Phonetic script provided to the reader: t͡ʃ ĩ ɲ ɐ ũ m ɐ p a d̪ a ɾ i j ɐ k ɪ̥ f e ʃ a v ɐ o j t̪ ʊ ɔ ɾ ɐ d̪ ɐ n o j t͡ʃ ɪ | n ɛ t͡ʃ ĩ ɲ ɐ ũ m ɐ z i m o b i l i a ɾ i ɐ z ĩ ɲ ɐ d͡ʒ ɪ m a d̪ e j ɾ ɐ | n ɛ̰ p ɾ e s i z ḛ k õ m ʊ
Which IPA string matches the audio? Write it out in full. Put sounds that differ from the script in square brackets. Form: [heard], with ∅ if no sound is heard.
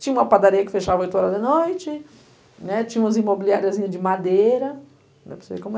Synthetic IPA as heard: t͡ʃ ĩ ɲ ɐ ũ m ɐ p a d̪ a ɾ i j ɐ k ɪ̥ f e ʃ a v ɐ o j t̪ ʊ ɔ ɾ ɐ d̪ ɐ n o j t͡ʃ ɪ | n ɛ t͡ʃ ĩ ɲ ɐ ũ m ɐ z i m o b i l i a ɾ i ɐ z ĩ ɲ ɐ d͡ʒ ɪ m a d̪ e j ɾ ɐ | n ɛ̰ p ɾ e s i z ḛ k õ m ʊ